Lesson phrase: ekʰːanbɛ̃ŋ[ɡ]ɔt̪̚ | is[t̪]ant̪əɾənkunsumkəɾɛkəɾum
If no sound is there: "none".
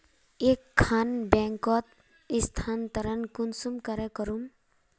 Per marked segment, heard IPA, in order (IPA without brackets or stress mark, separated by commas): k, t̪ʰ